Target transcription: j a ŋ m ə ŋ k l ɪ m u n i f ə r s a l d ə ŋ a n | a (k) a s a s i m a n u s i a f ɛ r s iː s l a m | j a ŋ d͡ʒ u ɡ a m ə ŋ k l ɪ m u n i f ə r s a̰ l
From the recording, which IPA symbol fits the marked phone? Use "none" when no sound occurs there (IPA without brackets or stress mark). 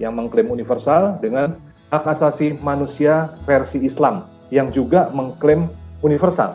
k